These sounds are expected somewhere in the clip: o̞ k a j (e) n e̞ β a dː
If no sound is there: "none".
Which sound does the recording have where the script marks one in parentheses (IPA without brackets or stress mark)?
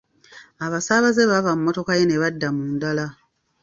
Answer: e